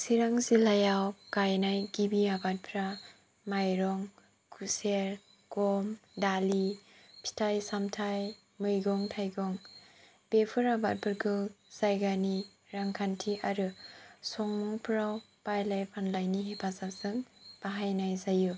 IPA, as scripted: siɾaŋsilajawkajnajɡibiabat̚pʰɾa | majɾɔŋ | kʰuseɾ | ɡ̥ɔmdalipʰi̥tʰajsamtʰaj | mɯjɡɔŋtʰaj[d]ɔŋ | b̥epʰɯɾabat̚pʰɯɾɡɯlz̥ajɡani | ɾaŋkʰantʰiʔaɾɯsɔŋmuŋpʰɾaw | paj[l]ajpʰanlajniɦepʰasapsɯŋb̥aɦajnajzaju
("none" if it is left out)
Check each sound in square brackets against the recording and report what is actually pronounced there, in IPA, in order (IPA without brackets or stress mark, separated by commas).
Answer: ɡ, l